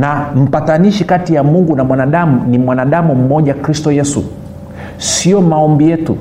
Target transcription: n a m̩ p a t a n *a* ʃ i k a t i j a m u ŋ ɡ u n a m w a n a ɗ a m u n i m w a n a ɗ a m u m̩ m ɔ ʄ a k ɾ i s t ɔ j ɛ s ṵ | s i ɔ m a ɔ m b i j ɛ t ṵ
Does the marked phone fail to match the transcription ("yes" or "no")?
yes